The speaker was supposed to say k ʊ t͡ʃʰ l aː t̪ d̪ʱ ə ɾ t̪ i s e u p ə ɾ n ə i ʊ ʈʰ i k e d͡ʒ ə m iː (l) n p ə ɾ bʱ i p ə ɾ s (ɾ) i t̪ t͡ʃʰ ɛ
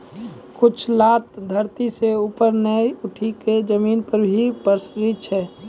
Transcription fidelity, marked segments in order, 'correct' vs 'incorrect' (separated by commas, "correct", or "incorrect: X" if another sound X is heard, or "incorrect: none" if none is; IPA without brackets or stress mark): incorrect: none, correct